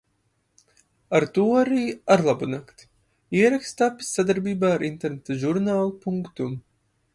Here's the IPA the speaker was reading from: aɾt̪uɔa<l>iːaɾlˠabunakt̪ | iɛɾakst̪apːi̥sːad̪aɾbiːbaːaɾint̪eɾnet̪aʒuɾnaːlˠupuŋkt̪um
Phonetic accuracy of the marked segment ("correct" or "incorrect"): incorrect